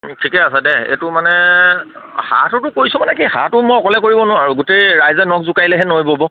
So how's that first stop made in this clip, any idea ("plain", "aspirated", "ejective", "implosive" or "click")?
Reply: aspirated